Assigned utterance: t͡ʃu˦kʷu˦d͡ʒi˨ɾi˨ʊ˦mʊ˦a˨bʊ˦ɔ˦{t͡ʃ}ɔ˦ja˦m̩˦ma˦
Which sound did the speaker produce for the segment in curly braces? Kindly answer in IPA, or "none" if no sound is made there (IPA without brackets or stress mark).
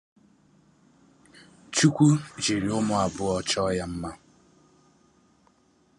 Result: t͡ʃ